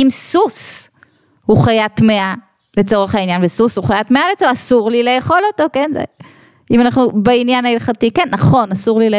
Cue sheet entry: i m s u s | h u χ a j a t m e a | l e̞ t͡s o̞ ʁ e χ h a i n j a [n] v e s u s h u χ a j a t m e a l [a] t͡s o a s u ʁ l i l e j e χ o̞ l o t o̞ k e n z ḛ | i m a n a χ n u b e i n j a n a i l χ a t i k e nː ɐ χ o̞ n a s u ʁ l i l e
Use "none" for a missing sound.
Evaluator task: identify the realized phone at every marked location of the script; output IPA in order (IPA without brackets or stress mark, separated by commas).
n, e